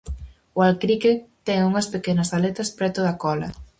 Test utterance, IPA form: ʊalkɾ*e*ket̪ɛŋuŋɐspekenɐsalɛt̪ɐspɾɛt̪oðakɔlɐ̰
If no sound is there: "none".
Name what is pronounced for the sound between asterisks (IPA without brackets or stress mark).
i